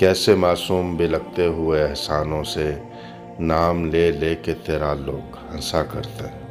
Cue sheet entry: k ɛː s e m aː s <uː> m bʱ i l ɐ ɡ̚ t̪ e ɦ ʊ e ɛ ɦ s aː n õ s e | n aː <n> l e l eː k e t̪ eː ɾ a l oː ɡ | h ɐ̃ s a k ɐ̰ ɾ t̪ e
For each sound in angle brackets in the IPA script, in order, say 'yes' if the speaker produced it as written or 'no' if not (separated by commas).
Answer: yes, no